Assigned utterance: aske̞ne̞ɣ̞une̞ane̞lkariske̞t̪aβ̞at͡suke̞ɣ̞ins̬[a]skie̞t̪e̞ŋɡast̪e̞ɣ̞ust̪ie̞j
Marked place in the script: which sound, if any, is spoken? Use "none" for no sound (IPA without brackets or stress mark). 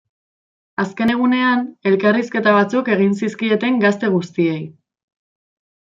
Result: i